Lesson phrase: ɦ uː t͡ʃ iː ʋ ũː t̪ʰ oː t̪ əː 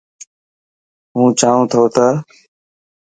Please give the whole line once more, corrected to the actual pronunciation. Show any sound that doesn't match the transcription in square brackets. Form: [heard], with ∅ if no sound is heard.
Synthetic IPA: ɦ [ũː] t͡ʃ [aː] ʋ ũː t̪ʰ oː t̪ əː